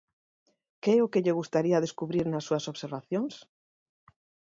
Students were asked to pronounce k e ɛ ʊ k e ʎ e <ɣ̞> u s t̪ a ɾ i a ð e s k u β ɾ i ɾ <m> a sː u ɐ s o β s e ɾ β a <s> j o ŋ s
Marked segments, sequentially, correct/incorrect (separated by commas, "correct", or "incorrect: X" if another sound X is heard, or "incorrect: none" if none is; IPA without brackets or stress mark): correct, incorrect: n, incorrect: θ